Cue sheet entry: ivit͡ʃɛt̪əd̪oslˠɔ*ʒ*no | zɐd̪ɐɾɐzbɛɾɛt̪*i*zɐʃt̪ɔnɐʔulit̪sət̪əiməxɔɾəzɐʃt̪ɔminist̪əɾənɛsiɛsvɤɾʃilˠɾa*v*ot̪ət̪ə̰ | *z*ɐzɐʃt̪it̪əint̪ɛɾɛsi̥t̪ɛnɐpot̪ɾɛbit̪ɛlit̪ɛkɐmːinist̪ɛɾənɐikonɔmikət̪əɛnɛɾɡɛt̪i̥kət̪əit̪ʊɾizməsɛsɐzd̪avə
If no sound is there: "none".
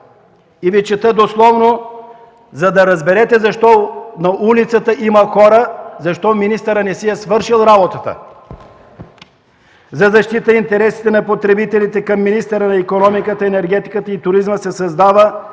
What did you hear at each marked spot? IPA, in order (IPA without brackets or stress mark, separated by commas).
v, ɛ, b, z